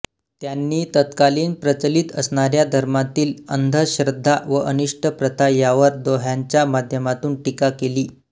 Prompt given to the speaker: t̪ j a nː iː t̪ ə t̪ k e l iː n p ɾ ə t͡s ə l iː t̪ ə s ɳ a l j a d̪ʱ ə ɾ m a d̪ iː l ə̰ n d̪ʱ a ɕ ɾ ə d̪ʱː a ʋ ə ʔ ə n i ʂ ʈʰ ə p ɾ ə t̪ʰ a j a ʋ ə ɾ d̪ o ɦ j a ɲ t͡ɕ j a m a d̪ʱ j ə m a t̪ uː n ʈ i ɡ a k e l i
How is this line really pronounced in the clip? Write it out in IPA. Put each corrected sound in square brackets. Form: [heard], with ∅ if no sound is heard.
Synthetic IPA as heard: t̪ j a nː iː t̪ ə t̪ k [a] l iː n p ɾ ə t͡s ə l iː t̪ ə s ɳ a [ɾ] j a d̪ʱ ə ɾ m a [t̪] iː l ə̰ n d̪ʱ [ə] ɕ ɾ ə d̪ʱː a ʋ ə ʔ ə n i ʂ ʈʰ ə p ɾ ə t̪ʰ a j a ʋ ə ɾ d̪ o ɦ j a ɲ t͡ɕ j a m a d̪ʱ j ə m a t̪ uː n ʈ i [k] a k e l [iː]